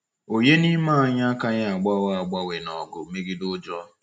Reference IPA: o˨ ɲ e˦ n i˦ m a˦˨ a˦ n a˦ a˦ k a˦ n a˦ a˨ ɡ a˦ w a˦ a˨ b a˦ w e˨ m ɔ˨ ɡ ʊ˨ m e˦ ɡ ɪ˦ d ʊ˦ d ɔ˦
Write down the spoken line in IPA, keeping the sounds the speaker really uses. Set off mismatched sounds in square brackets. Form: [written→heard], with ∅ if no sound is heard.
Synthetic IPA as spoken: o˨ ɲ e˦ n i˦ m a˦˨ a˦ [n→ɲ] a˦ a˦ k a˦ [n→ɲ] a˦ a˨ [ɡ→ɡ͡b] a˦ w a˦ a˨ [b→ɡ͡b] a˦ w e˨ [m→n] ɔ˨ ɡ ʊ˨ m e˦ ɡ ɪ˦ d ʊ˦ [d→d͡ʒ] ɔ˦